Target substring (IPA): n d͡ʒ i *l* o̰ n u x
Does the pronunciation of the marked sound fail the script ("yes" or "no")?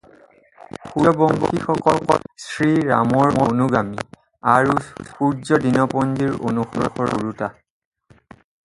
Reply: yes